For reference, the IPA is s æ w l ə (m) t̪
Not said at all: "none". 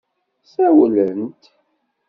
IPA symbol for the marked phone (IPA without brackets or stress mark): n